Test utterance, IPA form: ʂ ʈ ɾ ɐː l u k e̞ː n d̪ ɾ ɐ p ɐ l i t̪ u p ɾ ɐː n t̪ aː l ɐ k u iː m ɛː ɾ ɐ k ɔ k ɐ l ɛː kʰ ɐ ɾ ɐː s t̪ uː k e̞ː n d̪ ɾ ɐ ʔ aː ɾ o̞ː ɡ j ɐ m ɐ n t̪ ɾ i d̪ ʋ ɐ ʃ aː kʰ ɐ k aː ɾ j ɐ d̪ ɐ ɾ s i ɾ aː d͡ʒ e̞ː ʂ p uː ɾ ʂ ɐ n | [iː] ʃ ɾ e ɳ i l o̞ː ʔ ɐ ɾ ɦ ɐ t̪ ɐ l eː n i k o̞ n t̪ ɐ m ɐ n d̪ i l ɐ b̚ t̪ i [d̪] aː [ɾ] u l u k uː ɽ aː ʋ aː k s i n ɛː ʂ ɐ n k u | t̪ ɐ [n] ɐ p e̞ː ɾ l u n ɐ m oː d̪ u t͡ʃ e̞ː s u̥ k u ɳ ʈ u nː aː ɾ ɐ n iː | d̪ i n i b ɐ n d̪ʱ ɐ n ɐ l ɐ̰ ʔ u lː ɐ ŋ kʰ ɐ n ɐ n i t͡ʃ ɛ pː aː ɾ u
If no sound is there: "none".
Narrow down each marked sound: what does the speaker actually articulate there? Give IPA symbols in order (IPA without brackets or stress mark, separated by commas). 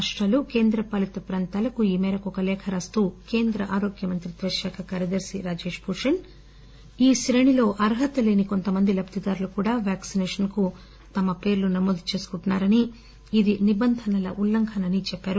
iː, d̪, ɾ, m